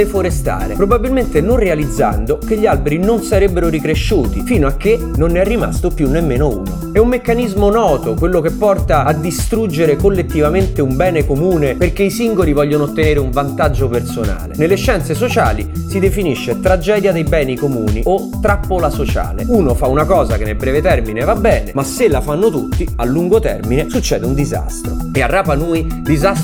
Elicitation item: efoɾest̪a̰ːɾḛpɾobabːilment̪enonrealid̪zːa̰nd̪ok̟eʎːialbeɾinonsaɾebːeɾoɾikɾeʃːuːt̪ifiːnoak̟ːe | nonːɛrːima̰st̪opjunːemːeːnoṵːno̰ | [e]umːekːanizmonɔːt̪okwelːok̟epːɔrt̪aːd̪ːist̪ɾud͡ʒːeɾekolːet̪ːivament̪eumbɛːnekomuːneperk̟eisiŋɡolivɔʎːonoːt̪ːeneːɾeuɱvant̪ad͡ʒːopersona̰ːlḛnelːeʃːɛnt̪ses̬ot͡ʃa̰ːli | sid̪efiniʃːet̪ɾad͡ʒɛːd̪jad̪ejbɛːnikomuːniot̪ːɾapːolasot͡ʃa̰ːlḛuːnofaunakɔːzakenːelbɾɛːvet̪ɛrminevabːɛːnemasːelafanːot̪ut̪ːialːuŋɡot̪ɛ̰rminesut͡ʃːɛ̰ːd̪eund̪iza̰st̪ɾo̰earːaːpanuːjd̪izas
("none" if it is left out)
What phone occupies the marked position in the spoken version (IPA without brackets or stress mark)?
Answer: ɛ